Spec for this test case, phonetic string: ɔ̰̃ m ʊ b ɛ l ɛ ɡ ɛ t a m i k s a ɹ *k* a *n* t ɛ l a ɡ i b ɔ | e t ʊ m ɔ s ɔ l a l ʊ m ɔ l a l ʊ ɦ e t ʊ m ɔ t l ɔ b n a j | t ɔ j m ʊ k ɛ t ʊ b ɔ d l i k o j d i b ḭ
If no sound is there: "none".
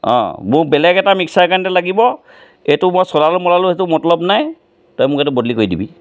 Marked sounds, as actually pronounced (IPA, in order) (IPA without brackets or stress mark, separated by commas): k, n